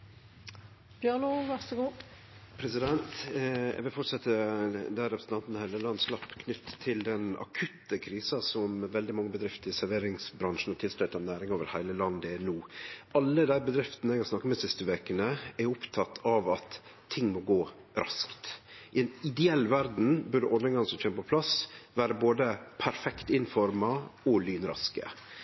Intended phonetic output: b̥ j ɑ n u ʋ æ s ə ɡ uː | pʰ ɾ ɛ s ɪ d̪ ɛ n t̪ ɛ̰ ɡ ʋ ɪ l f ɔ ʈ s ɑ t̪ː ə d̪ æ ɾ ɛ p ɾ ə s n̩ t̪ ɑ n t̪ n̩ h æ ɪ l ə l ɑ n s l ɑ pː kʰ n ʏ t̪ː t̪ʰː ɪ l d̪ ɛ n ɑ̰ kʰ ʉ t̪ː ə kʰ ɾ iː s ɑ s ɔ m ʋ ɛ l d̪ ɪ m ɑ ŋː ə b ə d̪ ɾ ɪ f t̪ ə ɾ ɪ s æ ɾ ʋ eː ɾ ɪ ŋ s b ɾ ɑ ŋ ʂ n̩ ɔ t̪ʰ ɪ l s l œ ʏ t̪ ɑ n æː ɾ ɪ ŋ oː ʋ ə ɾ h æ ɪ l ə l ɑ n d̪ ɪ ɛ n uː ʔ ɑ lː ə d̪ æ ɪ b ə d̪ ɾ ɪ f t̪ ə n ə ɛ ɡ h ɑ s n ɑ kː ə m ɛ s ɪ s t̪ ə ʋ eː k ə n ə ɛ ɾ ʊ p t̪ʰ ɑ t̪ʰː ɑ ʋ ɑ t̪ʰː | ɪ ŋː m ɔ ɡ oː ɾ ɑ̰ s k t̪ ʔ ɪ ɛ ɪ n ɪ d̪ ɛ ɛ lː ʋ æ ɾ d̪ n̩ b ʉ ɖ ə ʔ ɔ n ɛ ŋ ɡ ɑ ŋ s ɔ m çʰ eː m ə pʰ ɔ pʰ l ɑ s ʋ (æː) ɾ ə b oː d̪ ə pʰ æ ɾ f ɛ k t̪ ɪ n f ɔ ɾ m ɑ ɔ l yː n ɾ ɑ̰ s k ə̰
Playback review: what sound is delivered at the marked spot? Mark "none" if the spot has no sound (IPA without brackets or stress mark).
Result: æː